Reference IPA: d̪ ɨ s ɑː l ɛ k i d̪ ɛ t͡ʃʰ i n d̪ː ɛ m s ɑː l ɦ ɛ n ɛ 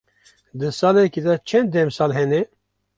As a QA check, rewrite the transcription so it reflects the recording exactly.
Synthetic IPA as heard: d̪ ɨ s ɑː l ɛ k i d̪ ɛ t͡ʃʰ ɛ n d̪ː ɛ m s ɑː l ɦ ɛ n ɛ